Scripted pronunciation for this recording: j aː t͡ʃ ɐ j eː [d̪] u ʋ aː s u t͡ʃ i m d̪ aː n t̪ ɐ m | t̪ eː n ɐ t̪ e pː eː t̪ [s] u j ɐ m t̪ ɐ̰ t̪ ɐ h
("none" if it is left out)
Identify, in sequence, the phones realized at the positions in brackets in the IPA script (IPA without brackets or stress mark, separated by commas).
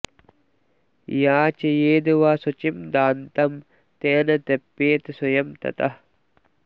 d̪, s